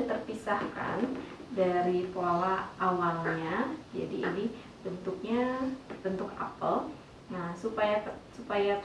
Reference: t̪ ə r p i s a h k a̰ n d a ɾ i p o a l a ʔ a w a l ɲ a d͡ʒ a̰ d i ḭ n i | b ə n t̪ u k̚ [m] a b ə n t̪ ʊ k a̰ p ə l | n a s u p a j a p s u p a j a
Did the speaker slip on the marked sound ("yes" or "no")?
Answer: yes